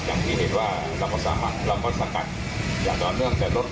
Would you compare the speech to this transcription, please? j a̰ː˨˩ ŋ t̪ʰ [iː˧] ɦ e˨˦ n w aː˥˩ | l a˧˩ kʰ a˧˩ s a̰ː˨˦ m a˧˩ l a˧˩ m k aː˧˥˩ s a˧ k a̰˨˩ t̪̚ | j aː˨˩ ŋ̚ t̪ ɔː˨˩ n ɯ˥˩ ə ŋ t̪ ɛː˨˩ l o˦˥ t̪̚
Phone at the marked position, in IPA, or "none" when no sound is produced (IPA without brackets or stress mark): iː˥˩